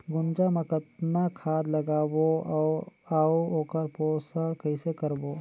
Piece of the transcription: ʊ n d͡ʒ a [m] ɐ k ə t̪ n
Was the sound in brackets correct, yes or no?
yes